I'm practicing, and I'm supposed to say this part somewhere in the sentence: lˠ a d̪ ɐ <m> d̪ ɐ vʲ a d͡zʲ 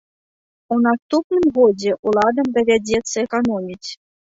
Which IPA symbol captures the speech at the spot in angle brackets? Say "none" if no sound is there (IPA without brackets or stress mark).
m